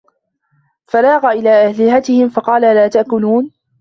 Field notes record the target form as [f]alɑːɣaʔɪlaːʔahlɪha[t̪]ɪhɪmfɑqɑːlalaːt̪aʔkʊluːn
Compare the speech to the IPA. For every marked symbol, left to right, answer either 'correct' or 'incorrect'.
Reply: correct, correct

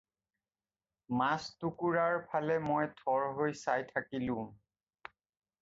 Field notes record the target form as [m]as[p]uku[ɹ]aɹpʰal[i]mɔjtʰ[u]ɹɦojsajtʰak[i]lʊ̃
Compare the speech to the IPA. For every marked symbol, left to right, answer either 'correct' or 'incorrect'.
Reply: correct, incorrect: t, correct, incorrect: ɛ, incorrect: ɔ, correct

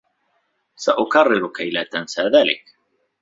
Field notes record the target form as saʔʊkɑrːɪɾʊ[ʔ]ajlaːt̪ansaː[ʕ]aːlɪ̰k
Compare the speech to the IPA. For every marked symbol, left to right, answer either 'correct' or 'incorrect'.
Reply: incorrect: k, incorrect: ð

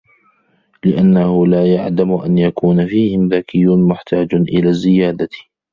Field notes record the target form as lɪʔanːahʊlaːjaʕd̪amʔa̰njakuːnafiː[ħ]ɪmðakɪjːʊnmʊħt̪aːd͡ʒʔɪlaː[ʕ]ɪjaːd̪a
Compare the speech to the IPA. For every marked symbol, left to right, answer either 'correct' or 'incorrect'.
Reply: incorrect: h, incorrect: z

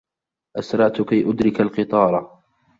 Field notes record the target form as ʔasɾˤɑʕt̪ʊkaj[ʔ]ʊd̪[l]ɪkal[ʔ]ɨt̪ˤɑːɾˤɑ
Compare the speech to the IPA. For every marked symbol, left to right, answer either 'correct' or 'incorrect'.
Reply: correct, incorrect: ɾ, incorrect: q

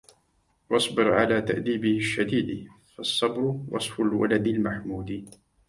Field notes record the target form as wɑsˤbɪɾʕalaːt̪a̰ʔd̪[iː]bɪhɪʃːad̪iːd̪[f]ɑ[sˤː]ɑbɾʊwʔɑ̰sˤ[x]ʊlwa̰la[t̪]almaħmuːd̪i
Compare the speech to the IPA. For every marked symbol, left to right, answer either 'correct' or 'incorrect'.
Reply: correct, correct, correct, incorrect: f, incorrect: d̪

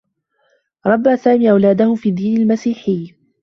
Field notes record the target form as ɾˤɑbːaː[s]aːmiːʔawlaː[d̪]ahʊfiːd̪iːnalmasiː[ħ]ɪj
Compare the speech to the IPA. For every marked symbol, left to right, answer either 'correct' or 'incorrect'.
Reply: correct, correct, correct

